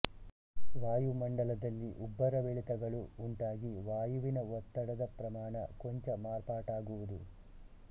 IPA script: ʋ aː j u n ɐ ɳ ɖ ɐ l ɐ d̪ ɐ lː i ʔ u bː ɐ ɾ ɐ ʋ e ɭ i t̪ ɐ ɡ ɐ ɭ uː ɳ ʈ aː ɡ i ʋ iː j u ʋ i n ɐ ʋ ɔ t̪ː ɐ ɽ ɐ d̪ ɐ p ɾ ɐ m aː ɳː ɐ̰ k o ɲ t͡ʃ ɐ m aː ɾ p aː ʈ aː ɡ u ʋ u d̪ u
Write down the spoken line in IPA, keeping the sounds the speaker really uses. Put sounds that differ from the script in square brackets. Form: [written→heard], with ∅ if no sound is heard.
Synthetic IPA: ʋ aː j u [n→m] ɐ ɳ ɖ ɐ l ɐ d̪ ɐ lː i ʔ u bː ɐ ɾ ɐ ʋ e ɭ i t̪ ɐ ɡ ɐ ɭ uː ɳ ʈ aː ɡ i ʋ [iː→aː] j u ʋ i n ɐ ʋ ɔ t̪ː ɐ ɽ ɐ d̪ ɐ p ɾ ɐ m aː [ɳː→ɳ] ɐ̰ k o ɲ t͡ʃ ɐ m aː ɾ p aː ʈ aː ɡ u ʋ u d̪ u